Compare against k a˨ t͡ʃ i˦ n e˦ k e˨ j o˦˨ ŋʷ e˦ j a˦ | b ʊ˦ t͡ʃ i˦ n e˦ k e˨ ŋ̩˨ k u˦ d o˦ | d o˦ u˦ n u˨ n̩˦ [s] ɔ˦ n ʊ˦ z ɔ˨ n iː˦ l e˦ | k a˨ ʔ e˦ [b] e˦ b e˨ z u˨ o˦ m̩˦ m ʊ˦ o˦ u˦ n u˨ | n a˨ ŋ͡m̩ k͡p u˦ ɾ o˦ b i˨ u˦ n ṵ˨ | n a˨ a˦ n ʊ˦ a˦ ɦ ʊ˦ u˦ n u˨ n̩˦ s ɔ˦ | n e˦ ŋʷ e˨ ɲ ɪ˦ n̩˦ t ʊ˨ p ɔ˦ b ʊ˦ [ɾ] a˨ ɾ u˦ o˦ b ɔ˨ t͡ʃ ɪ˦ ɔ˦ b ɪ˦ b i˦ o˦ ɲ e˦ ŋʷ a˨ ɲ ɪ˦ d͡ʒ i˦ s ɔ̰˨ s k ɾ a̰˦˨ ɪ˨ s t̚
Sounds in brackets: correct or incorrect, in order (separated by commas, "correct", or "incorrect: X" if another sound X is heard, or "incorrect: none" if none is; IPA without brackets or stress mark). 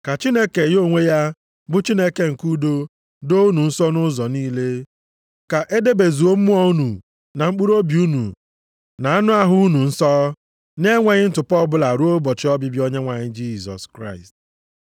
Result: correct, incorrect: d, incorrect: l